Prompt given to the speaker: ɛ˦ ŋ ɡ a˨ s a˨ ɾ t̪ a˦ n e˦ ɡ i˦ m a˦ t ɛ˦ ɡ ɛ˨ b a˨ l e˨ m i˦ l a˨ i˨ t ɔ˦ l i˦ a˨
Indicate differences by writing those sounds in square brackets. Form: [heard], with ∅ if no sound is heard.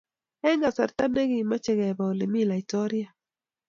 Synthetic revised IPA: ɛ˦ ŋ ɡ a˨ s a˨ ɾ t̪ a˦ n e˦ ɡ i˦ m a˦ [t͡ʃ] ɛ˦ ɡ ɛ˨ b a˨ l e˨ m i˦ l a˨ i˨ t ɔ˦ [ɾ] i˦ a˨